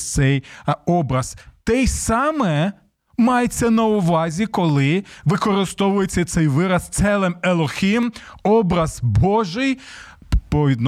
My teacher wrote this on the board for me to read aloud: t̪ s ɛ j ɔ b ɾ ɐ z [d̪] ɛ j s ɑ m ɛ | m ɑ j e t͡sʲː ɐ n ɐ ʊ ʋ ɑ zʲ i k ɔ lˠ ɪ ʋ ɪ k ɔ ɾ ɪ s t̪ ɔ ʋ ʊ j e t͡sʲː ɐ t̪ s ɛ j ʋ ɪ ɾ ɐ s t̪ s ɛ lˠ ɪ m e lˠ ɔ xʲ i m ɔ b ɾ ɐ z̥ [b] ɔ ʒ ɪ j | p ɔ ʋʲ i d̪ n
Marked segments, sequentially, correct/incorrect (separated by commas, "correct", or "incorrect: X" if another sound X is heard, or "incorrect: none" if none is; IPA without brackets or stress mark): incorrect: t̪, correct